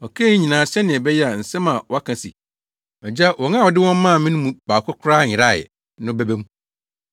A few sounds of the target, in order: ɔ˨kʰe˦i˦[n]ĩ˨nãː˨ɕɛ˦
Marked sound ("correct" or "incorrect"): incorrect